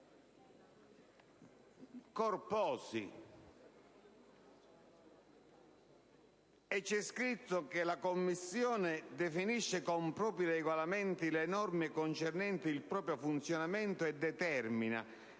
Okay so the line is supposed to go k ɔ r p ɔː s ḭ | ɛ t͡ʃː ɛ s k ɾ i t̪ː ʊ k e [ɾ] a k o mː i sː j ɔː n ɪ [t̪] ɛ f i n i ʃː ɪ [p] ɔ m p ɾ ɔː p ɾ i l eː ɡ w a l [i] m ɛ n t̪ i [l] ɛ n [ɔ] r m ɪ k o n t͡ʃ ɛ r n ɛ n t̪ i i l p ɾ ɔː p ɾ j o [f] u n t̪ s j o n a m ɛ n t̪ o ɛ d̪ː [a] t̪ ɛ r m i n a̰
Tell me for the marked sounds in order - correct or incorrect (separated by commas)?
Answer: incorrect, incorrect, incorrect, incorrect, correct, correct, correct, incorrect